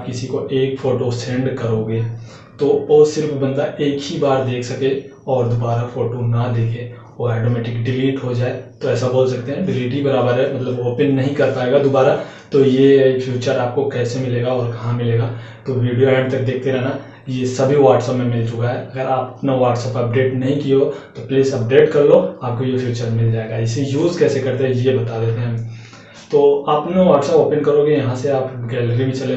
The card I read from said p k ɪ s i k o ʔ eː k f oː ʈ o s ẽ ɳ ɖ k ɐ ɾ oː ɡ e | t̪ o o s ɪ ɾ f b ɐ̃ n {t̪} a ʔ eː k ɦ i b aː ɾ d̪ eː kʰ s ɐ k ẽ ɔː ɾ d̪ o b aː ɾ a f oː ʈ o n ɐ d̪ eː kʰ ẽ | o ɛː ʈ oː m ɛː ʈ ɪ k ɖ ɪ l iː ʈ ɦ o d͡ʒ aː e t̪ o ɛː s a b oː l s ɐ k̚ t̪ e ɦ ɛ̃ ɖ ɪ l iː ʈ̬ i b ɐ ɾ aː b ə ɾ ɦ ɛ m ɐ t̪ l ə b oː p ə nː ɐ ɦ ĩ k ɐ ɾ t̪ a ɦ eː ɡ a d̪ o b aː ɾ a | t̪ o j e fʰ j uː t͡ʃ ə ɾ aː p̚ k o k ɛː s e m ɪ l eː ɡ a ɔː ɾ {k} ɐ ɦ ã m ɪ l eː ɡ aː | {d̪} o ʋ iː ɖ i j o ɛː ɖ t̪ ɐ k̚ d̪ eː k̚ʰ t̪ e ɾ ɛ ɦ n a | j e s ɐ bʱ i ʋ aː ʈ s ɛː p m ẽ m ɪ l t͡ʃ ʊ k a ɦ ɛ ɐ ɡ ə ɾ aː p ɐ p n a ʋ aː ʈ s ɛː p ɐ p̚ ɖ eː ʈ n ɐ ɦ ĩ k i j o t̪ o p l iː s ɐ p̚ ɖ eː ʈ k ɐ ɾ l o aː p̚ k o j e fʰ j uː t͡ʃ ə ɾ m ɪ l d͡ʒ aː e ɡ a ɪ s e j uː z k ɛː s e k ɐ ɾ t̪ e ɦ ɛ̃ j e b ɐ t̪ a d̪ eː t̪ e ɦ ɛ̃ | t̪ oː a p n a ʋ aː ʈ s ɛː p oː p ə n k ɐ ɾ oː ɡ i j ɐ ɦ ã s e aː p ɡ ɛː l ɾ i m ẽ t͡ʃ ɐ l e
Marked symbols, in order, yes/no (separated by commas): no, yes, no